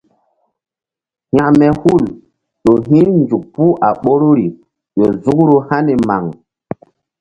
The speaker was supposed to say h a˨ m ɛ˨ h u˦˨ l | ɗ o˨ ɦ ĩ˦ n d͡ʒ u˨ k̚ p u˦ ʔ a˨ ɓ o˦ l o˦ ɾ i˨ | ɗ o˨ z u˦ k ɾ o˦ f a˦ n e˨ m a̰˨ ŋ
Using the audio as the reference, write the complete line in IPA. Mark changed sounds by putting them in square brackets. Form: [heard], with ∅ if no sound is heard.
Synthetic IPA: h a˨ m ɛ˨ h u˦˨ l | ɗ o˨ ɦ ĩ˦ n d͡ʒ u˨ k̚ p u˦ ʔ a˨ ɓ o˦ [ɾ] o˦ ɾ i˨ | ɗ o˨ z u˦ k ɾ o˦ [h] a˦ n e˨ m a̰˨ ŋ